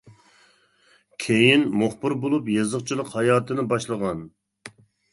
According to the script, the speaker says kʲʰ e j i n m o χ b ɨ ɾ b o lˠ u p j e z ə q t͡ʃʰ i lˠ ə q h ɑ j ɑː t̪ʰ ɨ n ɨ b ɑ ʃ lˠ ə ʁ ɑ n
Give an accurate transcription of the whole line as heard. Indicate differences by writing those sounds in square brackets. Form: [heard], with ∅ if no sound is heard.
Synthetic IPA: kʲʰ e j i n m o χ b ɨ ɾ b o lˠ u p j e z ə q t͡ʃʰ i lˠ ə q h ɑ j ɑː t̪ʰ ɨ n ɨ b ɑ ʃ lˠ ə ʁ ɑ n